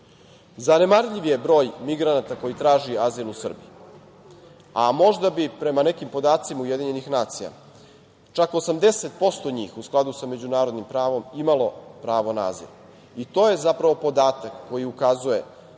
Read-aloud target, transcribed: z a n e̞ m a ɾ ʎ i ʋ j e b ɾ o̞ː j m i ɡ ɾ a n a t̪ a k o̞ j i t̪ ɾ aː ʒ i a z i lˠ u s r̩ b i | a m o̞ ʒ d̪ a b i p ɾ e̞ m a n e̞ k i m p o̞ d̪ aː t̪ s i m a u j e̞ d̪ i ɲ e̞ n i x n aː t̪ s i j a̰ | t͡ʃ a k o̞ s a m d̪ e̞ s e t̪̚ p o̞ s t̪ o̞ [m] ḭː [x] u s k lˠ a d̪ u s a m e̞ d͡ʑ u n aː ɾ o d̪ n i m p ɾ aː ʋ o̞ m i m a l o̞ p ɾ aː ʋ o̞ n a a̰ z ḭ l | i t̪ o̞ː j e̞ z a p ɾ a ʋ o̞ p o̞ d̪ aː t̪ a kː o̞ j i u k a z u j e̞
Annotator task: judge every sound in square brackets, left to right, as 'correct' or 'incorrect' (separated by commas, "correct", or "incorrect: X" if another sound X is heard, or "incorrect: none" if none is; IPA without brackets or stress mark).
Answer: incorrect: ɲ, correct